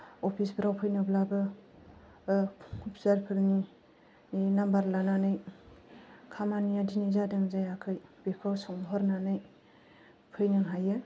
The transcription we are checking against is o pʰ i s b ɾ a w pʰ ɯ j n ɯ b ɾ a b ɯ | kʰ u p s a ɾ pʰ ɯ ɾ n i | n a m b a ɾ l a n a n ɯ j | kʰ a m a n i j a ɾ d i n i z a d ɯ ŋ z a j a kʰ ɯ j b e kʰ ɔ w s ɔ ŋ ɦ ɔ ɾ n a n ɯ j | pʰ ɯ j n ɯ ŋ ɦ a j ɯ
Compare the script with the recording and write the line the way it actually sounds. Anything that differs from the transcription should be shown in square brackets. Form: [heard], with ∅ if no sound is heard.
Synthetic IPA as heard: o pʰ i s b ɾ a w pʰ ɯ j n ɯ b [l] a b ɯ | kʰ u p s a ɾ pʰ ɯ ɾ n i | n a m b a ɾ l a n a n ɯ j | kʰ a m a n i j a [∅] d i n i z a d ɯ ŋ z a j a kʰ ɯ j b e kʰ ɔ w s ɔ ŋ ɦ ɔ ɾ n a n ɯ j | pʰ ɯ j n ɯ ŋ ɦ a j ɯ